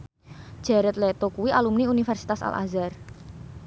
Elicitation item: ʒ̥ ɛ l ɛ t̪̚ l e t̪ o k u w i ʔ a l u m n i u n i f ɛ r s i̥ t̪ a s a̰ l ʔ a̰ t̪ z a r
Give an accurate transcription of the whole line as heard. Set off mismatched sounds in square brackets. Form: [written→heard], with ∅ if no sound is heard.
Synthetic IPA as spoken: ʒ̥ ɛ [l→ɾ] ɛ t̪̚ l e t̪ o k u w i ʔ a l u m n i u n i f ɛ r s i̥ t̪ a s a̰ l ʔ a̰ [t̪→∅] z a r